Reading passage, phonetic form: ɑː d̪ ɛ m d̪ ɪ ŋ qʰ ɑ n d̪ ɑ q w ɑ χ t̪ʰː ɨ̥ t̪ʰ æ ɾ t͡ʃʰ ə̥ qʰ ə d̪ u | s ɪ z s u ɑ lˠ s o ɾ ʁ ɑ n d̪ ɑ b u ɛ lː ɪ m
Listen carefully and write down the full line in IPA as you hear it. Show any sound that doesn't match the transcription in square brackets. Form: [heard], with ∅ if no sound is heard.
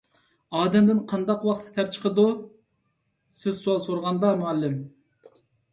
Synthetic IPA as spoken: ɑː d̪ ɛ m d̪ ɪ [n] qʰ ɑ n d̪ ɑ q w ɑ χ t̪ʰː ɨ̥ t̪ʰ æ ɾ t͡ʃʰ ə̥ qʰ ə d̪ u | s ɪ z s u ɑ lˠ s o ɾ ʁ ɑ n d̪ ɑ [m] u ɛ lː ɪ m